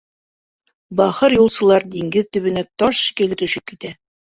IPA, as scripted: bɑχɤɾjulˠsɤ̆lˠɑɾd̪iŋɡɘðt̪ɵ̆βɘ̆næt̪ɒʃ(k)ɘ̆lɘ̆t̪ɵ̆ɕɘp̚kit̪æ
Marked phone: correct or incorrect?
correct